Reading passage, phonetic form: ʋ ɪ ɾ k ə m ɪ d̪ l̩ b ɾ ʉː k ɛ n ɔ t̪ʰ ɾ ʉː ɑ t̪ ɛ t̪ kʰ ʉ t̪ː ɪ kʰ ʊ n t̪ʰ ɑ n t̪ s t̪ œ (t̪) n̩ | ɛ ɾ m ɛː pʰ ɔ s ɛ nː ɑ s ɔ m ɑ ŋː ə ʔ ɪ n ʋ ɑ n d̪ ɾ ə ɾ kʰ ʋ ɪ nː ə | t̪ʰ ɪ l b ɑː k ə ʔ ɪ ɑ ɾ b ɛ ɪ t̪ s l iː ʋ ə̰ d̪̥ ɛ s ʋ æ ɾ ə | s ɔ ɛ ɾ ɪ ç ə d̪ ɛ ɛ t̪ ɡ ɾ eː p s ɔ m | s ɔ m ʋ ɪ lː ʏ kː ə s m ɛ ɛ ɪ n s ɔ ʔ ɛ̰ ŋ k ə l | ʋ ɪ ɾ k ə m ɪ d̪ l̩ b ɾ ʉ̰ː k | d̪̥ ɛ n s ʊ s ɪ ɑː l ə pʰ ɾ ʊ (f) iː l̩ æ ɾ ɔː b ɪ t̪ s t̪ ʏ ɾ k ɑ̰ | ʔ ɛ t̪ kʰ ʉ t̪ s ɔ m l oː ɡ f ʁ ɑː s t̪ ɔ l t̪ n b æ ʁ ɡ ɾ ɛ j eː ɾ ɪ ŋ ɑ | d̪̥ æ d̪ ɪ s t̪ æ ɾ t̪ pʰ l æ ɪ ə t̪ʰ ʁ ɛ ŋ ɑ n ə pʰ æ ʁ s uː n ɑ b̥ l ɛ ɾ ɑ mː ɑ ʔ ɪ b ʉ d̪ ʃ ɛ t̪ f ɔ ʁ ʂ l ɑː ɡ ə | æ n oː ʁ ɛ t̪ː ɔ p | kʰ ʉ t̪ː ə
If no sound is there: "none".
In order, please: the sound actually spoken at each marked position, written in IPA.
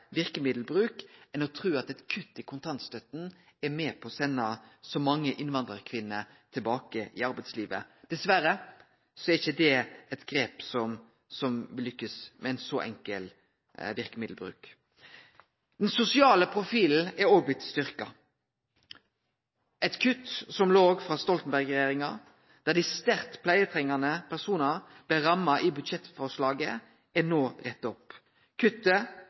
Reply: t̪, f

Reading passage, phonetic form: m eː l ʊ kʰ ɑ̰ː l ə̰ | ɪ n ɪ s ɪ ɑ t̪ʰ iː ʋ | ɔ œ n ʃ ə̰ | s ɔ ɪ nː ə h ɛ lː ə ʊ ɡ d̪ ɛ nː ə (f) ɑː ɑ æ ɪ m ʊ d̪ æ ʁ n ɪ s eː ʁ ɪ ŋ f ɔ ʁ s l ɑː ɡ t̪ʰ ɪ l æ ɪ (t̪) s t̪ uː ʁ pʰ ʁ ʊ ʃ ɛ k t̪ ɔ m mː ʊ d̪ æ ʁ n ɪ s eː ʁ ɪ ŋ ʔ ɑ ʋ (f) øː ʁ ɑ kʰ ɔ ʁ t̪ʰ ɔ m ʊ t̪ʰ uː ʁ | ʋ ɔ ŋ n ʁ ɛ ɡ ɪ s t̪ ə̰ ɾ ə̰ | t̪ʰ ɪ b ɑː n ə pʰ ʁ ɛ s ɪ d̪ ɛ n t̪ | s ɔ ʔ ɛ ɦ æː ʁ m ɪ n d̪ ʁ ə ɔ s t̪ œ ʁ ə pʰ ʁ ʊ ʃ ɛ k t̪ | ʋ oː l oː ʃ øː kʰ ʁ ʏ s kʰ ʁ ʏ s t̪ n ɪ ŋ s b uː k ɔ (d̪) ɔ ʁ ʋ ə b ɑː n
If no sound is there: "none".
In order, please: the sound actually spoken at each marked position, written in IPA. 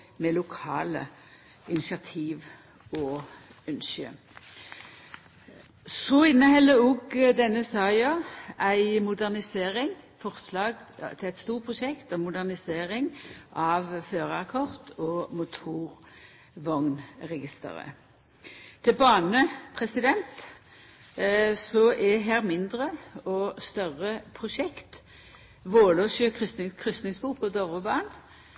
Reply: s, t̪, f, d̪

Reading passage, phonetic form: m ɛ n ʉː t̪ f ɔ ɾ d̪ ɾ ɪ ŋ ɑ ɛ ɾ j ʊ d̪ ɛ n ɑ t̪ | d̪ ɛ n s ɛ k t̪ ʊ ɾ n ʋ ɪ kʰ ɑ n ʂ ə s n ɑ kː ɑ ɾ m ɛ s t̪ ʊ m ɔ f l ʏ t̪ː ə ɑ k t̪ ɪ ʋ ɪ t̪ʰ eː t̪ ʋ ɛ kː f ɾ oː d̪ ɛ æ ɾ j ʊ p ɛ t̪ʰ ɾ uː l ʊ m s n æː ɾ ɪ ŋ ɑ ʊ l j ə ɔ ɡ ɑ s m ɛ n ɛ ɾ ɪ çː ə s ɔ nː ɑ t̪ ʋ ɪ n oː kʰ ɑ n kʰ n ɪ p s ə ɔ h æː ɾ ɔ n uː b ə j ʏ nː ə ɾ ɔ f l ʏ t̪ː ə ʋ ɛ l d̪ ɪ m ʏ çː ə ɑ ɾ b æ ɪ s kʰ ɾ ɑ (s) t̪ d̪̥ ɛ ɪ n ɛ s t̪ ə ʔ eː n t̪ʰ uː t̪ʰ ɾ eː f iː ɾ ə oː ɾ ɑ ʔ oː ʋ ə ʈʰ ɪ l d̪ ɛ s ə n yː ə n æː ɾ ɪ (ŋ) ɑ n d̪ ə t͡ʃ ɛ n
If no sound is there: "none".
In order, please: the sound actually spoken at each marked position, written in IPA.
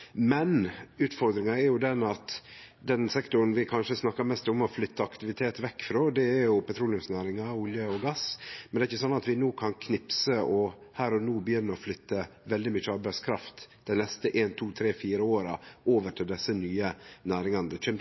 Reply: f, ŋ

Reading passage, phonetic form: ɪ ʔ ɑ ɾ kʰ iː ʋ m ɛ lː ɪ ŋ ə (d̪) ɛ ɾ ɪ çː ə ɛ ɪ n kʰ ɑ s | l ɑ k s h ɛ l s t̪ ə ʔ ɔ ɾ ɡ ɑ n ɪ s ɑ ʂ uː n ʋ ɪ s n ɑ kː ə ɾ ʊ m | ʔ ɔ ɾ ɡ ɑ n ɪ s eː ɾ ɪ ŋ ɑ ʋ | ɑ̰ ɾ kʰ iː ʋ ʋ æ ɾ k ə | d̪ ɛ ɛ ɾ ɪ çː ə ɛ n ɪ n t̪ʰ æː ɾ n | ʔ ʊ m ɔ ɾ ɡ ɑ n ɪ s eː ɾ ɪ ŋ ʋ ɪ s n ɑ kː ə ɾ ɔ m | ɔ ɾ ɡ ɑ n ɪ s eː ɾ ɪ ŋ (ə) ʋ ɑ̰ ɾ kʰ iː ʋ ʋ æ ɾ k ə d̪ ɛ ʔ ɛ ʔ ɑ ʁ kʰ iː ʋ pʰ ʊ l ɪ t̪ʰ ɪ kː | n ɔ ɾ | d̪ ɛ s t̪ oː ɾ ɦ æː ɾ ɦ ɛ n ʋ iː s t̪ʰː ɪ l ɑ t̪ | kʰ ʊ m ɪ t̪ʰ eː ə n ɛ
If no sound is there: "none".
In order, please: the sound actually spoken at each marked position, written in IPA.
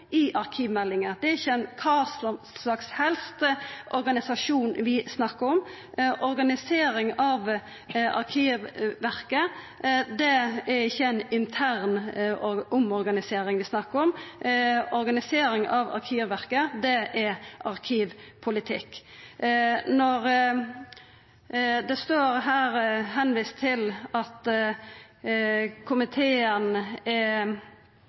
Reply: d̪, ɑ

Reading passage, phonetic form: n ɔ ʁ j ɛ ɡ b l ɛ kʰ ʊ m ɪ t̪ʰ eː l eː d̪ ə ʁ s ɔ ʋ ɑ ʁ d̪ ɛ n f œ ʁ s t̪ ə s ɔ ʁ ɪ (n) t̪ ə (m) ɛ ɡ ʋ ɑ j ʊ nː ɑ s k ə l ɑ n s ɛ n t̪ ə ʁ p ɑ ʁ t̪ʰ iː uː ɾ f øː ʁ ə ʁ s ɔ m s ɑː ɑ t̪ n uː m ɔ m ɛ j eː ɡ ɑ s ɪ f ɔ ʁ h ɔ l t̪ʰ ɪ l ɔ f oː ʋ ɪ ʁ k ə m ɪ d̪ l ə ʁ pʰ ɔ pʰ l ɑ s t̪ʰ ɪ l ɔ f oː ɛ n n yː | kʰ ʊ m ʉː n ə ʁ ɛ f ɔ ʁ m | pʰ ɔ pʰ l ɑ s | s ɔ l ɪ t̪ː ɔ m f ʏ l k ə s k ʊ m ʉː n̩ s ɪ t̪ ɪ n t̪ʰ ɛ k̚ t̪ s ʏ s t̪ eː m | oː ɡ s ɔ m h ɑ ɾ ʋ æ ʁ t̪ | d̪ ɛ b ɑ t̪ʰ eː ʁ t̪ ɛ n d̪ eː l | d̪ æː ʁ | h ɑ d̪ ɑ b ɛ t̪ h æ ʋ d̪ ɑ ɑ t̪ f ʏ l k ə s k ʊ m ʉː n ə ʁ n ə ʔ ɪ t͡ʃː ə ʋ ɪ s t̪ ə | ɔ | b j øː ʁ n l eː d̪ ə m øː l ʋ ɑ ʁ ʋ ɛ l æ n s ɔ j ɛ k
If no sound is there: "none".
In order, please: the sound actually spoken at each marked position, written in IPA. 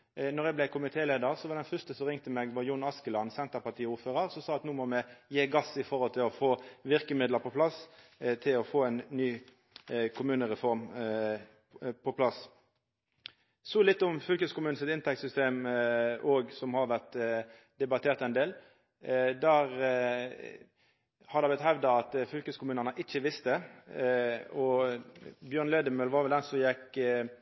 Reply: ŋ, m

